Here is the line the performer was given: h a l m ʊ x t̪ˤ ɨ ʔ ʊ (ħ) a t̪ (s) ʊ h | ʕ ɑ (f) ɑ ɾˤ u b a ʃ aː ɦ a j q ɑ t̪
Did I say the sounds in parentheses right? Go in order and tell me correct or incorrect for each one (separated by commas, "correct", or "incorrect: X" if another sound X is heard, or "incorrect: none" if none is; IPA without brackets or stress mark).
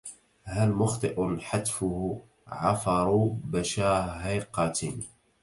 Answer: correct, incorrect: f, correct